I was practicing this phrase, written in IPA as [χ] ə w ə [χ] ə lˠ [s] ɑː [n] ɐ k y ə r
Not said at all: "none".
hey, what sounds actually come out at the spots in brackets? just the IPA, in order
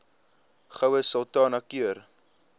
χ, s, t, n

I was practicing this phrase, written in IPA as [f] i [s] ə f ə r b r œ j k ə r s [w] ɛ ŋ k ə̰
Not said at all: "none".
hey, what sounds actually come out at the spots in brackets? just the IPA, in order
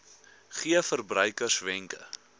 χ, none, v

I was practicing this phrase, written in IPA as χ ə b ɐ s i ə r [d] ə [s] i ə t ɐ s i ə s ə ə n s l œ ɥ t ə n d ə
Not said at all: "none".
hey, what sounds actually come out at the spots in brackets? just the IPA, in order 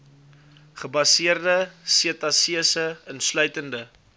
d, s

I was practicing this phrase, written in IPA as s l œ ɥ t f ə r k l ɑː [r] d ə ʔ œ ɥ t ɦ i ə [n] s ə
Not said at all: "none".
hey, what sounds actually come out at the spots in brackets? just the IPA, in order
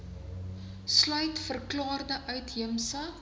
r, m

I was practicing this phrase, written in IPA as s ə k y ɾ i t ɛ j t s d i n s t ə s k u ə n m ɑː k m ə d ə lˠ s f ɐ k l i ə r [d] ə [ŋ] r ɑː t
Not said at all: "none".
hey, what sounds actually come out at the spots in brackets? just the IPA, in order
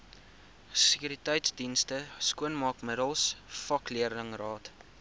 d, ŋ

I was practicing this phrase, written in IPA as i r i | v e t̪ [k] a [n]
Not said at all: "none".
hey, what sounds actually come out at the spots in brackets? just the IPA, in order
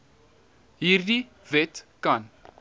k, n

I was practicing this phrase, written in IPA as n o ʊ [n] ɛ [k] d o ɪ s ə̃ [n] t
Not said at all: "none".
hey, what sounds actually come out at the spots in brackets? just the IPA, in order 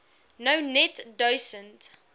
n, t, n

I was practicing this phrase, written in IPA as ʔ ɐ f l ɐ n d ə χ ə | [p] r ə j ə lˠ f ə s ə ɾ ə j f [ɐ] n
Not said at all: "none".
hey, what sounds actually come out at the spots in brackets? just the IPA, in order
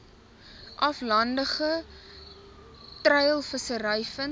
t, ə

